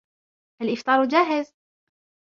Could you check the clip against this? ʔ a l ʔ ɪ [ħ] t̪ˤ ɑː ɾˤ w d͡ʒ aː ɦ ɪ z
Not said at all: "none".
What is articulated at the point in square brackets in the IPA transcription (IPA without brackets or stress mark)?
f